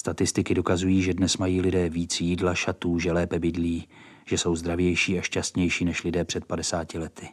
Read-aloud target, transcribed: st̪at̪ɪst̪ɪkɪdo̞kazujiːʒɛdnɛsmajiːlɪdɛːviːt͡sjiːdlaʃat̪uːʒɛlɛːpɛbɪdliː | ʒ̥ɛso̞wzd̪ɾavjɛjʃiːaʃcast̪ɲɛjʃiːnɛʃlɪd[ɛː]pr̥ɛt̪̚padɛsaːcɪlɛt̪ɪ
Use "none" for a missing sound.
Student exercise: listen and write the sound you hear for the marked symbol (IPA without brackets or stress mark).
ɛː